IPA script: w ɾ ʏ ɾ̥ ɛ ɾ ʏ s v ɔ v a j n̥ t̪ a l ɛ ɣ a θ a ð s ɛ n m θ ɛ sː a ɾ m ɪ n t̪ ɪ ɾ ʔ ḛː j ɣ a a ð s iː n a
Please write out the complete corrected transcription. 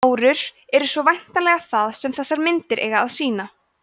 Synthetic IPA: w ɾ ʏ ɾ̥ ɛ ɾ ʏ s v ɔ v a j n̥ t̪ a l ɛ ɣ a θ a ð s ɛ m θ ɛ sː a ɾ m ɪ n t̪ ɪ ɾ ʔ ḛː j ɣ a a ð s iː n a